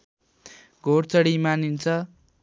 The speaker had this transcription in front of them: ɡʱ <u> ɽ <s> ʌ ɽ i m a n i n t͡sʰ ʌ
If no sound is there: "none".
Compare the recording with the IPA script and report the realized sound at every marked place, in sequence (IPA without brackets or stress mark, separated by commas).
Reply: o, t͡s